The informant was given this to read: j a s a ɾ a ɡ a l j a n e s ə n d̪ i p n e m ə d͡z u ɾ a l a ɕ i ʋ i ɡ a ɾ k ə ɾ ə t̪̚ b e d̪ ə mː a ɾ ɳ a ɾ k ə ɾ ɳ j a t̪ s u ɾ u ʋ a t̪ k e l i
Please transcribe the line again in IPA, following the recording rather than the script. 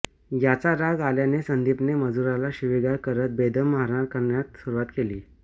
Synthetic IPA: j a t͡s a ɾ a ɡ a l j a n e s ə n d̪ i p n e m ə d͡z u ɾ a l a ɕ i ʋ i ɡ a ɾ k ə ɾ ə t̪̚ b e d̪ ə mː a ɾ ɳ a ɾ k ə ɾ ɳ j a t̪ s u ɾ u ʋ a t̪ k e l iː